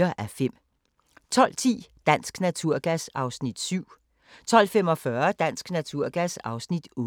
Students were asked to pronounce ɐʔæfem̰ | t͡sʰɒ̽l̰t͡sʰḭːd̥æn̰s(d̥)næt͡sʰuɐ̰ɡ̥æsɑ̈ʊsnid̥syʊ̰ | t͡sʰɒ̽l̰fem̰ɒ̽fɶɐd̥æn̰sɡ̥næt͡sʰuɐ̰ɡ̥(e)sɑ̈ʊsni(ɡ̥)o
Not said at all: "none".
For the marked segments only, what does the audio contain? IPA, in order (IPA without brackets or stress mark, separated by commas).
ɡ̥, æ, d̥